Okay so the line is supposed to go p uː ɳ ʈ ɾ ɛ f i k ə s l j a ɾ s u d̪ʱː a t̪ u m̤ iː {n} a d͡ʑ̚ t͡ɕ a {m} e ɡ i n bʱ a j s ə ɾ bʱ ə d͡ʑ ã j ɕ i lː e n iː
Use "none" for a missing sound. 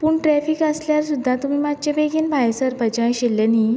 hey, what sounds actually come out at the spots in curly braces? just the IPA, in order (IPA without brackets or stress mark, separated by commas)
m, b